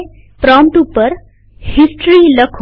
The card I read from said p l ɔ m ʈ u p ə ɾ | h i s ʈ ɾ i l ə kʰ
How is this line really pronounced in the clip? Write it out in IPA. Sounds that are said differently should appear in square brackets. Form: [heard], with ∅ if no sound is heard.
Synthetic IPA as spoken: p [ɾ] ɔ m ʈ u p ə ɾ | h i s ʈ ɾ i l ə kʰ